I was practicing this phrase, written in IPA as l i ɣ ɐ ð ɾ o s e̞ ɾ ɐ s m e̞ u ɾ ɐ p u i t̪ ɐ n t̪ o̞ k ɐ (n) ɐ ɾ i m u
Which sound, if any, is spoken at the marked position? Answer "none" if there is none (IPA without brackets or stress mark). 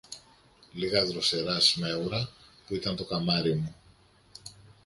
m